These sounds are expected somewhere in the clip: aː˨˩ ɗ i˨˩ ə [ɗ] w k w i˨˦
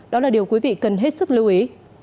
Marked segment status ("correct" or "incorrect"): incorrect